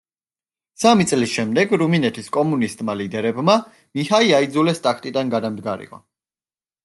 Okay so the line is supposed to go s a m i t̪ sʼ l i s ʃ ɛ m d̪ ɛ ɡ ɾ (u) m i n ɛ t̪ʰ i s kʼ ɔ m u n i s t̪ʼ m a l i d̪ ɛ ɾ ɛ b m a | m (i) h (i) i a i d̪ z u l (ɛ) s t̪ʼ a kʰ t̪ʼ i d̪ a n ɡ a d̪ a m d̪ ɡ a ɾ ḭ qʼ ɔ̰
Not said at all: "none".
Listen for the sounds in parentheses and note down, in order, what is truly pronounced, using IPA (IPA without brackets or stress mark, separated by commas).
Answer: u, i, a, ɛ